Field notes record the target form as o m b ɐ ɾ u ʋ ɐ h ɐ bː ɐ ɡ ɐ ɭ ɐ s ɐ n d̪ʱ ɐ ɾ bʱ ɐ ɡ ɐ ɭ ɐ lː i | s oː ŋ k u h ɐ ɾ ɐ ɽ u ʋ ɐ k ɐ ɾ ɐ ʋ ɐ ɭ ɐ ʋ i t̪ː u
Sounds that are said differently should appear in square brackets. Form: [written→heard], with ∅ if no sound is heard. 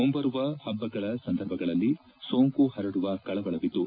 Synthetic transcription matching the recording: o m b ɐ ɾ u ʋ ɐ h ɐ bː ɐ ɡ ɐ ɭ ɐ s ɐ n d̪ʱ ɐ ɾ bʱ ɐ ɡ ɐ ɭ ɐ lː i | s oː ŋ k u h ɐ ɾ ɐ ɽ u ʋ ɐ k ɐ [ɾ→ɭ] ɐ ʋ ɐ ɭ ɐ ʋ i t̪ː u